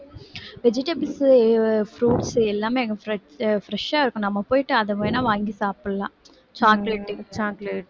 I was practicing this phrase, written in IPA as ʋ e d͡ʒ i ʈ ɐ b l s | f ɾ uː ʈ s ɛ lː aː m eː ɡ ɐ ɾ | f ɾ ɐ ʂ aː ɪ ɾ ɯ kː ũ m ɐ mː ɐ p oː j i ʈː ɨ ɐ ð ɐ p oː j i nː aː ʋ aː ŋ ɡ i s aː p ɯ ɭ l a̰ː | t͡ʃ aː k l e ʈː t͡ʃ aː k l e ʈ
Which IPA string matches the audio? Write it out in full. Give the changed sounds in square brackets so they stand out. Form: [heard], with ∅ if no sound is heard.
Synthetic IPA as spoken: ʋ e d͡ʒ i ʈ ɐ b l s | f ɾ uː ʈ s ɛ lː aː m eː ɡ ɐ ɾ | f ɾ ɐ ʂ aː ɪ ɾ ɯ kː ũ [n] ɐ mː ɐ p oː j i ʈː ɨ ɐ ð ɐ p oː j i [n] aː ʋ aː ŋ ɡ i s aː p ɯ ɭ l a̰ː | t͡ʃ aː k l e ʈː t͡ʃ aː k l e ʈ

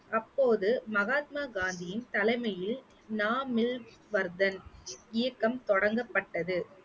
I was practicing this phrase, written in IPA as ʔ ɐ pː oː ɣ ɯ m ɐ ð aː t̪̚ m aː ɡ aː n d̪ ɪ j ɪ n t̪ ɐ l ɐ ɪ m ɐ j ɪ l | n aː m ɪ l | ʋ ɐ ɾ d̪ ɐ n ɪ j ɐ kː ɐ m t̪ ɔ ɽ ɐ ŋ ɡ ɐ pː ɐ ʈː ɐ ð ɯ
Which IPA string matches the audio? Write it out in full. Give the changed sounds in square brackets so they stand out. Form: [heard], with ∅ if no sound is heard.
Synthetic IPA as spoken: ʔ ɐ pː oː [ð] ɯ m ɐ [ɣ] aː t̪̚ m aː ɡ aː n d̪ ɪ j ɪ n t̪ ɐ l ɐ ɪ m ɐ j ɪ l | n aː m ɪ l | ʋ ɐ ɾ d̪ ɐ n ɪ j ɐ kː ɐ m t̪ ɔ ɽ ɐ ŋ ɡ ɐ pː ɐ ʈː ɐ ð ɯ

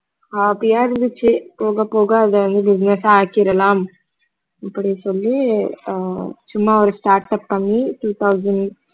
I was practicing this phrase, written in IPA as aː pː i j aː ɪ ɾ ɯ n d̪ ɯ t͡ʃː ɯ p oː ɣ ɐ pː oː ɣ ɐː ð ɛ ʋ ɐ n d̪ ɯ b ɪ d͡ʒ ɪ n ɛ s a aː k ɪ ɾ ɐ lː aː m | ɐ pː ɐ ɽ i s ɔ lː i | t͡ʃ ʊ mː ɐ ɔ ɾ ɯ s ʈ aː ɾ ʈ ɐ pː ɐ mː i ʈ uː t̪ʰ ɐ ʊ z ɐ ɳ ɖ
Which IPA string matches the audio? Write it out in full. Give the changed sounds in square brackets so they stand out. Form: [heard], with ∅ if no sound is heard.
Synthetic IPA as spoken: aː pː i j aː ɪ ɾ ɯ n d̪ ɯ t͡ʃː ɯ p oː ɣ ɐ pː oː ɣ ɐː ð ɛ ʋ ɐ n d̪ ɯ b ɪ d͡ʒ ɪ n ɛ s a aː k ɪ ɾ ɐ [l] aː m | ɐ pː ɐ ɽ i s ɔ lː i | t͡ʃ ʊ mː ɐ ɔ ɾ ɯ s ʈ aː ɾ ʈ ɐ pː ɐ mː i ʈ uː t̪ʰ ɐ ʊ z ɐ ɳ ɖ

